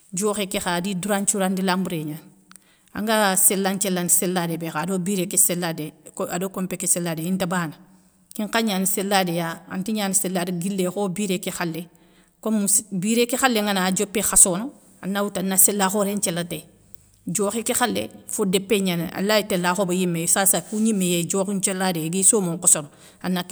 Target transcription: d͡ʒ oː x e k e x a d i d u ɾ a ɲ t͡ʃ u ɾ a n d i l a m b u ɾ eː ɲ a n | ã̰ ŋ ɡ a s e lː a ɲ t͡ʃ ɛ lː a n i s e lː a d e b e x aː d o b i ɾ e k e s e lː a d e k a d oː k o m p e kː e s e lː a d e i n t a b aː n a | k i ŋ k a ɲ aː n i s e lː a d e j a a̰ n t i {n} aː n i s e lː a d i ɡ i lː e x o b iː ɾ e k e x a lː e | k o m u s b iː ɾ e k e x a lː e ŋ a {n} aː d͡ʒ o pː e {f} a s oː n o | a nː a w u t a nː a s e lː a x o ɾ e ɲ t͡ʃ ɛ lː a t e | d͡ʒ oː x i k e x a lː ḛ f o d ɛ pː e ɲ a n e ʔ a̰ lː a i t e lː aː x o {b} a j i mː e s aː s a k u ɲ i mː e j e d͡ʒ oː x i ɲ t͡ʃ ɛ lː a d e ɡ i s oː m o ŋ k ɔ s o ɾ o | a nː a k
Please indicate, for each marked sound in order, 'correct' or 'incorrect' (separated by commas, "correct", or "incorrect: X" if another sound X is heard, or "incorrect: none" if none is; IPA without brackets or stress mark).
incorrect: ɲ, correct, incorrect: x, correct